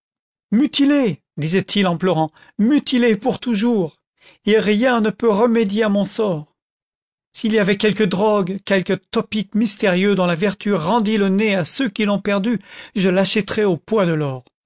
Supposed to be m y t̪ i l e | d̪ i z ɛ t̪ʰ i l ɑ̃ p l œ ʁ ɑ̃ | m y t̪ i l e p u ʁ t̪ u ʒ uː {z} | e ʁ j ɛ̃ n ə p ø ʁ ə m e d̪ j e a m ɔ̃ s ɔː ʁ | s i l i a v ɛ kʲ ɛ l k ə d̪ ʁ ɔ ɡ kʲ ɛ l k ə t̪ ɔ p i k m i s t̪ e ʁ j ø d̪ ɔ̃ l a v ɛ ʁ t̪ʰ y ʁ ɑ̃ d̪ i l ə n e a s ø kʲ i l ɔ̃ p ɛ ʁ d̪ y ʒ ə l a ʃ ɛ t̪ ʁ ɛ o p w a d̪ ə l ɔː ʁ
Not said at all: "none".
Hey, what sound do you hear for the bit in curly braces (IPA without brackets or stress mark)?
ʁ